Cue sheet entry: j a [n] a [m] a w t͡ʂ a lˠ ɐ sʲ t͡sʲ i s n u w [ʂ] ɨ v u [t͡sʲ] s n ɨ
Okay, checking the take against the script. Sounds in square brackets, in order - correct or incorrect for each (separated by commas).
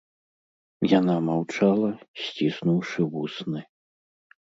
correct, correct, correct, incorrect